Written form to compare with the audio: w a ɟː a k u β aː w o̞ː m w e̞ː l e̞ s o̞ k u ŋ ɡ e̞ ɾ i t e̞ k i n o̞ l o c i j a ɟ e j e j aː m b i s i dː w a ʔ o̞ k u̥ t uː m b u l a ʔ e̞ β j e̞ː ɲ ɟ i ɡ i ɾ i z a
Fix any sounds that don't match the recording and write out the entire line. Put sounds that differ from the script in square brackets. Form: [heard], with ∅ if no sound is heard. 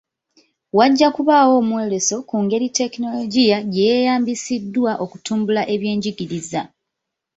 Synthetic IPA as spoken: w a ɟː a k u β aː w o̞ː m w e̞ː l e̞ s o̞ k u ŋ ɡ e̞ ɾ i t e̞ k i n o̞ l o [ɟ] i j a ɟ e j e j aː m b i s i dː w a ʔ o̞ k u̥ t uː m b u l a ʔ e̞ β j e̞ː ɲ ɟ i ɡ i ɾ i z a